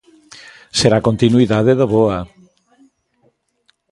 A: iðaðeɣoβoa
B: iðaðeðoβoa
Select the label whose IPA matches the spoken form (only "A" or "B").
B